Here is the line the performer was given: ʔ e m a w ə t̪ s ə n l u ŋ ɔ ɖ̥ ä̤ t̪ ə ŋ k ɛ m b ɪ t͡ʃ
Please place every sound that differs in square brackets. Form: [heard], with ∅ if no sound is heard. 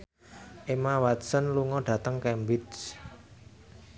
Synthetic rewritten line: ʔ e m a w [a] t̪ s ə n l u ŋ ɔ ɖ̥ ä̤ t̪ ə ŋ k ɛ m b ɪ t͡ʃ